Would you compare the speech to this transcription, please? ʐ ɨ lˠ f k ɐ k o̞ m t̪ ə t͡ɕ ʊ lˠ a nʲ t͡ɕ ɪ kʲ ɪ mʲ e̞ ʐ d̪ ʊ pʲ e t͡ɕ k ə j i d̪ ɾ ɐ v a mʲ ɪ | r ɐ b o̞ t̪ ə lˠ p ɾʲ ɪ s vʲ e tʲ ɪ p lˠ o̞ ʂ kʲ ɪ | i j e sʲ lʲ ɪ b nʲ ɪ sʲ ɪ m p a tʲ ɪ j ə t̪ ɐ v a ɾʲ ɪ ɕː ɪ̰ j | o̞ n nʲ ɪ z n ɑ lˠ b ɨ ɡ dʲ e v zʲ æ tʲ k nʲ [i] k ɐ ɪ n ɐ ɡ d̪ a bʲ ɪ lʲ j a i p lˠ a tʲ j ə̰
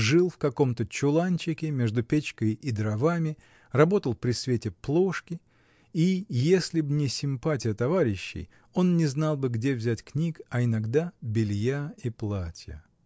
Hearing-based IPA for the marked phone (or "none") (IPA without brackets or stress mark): i